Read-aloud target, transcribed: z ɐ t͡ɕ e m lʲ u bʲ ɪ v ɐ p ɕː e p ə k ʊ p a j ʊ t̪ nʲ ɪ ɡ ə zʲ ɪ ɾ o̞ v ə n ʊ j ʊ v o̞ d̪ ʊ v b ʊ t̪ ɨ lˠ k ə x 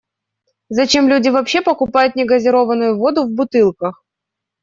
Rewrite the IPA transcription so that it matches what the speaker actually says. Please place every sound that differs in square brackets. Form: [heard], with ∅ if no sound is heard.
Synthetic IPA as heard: z ɐ t͡ɕ e m lʲ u [dʲ] ɪ v ɐ p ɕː e p ə k ʊ p a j ʊ t̪ nʲ ɪ ɡ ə zʲ ɪ ɾ o̞ v ə n ʊ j ʊ v o̞ d̪ ʊ v b ʊ t̪ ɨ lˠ k ə x